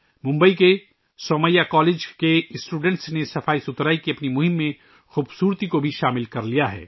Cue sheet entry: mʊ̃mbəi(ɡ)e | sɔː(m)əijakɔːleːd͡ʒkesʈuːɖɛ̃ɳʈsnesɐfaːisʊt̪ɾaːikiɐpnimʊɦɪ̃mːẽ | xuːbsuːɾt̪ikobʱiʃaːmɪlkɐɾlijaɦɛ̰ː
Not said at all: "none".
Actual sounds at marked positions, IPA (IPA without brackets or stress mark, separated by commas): k, m